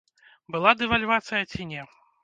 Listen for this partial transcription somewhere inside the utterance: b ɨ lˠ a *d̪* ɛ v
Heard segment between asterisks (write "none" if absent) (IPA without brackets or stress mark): d̪